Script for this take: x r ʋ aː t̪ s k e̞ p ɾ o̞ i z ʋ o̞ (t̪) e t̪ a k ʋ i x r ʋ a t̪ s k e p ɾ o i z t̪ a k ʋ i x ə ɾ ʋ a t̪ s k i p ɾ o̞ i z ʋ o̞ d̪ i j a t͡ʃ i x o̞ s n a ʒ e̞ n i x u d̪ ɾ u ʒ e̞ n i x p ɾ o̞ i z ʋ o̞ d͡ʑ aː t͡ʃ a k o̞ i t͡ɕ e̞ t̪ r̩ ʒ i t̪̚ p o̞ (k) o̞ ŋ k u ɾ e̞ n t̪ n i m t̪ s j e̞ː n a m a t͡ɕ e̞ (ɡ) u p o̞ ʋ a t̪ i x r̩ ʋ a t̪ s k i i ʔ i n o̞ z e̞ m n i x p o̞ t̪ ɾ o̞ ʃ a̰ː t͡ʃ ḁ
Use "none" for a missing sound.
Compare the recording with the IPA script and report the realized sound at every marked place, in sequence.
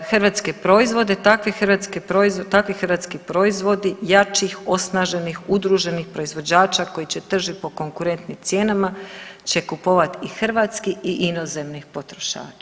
d̪, k, k

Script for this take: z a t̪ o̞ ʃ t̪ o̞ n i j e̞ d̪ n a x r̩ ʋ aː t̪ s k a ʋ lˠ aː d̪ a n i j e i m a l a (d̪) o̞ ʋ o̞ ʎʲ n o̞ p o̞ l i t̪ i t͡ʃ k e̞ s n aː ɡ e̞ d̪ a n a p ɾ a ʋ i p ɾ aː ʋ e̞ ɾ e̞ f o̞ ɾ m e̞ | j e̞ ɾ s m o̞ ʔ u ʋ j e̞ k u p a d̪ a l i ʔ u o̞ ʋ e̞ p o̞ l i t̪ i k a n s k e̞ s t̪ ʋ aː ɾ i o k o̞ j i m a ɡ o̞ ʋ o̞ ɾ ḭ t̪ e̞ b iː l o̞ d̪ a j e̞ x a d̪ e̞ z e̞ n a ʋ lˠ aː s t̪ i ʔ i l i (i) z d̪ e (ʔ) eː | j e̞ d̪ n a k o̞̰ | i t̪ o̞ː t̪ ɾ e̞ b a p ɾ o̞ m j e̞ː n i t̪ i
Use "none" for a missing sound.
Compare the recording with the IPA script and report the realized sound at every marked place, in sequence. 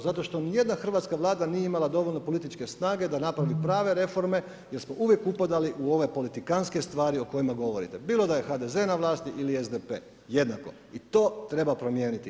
d̪, e, p

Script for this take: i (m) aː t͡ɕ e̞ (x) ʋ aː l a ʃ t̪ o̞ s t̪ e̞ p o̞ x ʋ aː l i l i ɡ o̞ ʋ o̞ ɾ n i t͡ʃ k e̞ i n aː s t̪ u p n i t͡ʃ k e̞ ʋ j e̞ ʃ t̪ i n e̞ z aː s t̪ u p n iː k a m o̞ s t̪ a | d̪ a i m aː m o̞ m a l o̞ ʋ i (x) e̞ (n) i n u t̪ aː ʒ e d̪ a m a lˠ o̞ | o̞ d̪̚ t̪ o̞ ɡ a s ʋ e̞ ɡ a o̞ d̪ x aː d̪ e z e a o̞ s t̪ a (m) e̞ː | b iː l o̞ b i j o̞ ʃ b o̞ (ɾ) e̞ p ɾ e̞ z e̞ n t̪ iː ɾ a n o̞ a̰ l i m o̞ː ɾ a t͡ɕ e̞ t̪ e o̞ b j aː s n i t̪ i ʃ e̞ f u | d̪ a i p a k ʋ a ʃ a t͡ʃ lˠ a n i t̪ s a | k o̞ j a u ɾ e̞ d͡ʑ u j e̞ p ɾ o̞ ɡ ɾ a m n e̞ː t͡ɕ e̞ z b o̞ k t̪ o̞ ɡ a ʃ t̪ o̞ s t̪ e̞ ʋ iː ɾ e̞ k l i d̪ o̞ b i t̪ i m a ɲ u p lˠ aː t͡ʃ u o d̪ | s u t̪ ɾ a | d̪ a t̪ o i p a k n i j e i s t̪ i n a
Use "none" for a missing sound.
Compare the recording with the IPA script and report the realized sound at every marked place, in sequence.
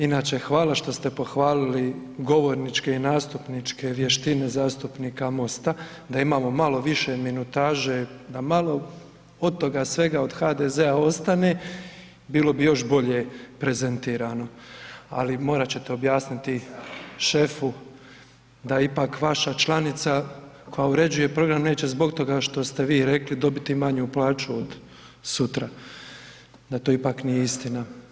n, x, ʃ, m, n, ʎ

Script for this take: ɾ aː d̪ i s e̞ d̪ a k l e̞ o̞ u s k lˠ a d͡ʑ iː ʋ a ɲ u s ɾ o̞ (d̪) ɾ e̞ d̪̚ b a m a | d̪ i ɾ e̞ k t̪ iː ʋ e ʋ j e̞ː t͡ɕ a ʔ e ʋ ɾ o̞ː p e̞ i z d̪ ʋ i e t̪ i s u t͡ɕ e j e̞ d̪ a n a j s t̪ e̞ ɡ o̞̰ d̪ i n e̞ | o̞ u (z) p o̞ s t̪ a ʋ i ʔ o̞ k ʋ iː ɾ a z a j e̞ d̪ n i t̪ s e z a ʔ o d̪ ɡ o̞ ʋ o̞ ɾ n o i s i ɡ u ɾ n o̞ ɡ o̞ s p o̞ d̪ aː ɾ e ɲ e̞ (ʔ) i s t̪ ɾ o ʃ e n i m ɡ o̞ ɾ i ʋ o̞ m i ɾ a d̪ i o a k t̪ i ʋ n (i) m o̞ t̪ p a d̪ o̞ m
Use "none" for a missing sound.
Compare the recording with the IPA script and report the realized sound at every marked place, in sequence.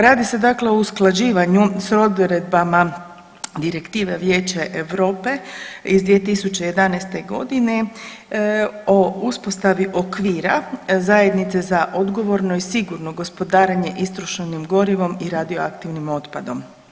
d̪, s, ʔ, i

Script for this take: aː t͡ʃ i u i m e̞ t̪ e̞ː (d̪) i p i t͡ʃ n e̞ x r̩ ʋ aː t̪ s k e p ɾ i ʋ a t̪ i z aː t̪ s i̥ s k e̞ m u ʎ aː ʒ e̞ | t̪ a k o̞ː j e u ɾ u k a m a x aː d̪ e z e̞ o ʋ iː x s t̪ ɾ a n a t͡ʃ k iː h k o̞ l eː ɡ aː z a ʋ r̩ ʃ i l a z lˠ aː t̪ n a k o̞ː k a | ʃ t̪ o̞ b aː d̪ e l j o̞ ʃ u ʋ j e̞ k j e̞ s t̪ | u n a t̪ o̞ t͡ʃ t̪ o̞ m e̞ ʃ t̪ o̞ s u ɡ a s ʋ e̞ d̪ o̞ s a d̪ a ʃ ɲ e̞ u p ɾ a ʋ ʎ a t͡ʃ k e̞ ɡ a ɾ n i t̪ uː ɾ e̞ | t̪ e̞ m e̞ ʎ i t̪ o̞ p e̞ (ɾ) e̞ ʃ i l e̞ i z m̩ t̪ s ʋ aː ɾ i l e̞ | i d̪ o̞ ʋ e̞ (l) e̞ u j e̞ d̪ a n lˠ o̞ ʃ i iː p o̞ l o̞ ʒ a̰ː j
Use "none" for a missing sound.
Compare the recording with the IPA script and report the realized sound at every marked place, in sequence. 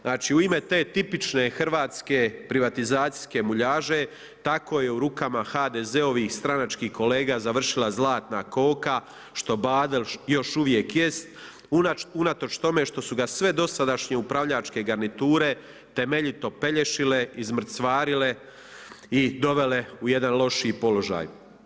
t̪, ʎ, l

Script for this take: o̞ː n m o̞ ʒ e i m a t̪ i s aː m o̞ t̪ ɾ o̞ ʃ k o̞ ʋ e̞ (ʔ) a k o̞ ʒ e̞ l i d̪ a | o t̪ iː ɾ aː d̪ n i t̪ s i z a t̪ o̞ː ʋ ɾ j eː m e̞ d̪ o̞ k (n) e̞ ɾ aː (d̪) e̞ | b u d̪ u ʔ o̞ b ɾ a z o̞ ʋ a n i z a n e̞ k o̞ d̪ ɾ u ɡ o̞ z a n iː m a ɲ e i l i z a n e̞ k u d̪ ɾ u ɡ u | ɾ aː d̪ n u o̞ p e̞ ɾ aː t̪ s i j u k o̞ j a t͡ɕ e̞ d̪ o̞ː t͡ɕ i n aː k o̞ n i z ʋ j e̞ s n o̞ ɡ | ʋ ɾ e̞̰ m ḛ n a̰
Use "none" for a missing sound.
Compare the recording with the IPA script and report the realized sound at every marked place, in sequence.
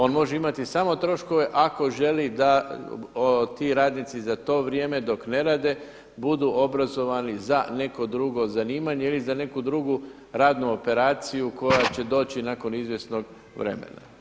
ʔ, n, d̪

